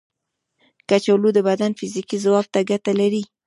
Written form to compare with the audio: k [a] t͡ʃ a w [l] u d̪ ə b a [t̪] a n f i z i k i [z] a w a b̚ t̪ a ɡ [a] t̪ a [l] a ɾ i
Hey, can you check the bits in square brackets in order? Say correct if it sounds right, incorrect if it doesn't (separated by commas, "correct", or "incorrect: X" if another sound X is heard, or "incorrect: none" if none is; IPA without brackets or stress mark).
correct, correct, incorrect: d̪, correct, correct, correct